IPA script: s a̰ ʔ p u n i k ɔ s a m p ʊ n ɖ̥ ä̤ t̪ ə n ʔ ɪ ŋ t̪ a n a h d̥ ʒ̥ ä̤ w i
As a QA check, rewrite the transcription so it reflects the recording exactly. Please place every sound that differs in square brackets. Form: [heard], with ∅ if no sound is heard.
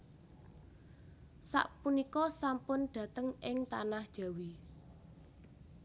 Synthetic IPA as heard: s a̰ ʔ p u n i k ɔ s a m p ʊ n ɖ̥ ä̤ t̪ ə [ŋ] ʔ ɪ ŋ t̪ a n a h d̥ ʒ̥ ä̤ w i